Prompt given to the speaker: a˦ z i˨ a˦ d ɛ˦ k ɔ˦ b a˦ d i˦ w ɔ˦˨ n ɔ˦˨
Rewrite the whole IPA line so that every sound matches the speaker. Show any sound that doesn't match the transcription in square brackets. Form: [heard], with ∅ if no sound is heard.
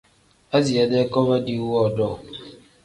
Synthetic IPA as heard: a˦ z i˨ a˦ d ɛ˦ k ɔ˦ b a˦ d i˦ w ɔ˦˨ [d] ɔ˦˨